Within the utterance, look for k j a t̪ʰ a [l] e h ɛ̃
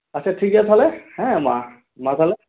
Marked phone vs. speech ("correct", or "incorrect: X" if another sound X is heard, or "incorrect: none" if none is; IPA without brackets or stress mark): correct